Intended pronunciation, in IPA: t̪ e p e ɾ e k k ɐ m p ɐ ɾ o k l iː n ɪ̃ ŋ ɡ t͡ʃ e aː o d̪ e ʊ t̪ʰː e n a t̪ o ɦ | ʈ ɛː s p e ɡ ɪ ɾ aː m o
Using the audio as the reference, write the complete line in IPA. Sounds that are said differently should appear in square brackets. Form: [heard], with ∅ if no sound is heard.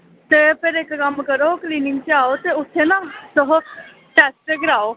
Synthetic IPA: t̪ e p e ɾ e k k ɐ m [k] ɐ ɾ o k l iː n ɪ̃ ŋ ɡ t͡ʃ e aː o [t̪] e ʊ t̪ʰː e n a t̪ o ɦ | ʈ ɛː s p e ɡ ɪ ɾ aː [∅] o